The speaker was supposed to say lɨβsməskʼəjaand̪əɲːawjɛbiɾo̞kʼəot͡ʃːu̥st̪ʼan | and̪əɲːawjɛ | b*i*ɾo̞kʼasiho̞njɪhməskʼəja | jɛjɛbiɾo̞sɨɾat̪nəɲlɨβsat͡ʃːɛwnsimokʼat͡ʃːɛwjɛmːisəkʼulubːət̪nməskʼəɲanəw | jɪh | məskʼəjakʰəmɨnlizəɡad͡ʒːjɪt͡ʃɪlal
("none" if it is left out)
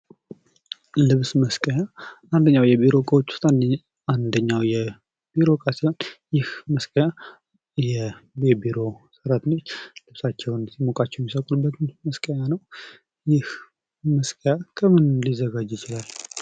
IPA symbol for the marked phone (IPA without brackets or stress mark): i